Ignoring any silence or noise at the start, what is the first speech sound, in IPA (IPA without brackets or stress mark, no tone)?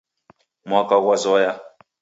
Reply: m